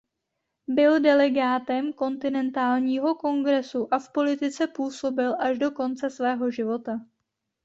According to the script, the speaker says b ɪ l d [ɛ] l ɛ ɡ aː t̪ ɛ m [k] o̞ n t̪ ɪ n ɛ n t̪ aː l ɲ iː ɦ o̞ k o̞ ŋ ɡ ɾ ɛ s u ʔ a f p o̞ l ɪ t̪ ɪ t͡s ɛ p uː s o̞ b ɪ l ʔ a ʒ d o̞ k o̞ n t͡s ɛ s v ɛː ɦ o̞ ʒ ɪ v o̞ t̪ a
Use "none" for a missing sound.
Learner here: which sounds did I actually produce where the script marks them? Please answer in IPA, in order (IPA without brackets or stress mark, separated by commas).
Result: ɛ, k